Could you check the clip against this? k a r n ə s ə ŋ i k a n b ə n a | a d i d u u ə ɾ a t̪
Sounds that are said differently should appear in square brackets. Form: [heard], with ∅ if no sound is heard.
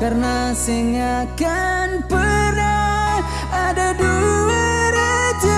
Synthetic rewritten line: k a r n [a] s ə ŋ [a] k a n [p] ə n a | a d [a] d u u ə ɾ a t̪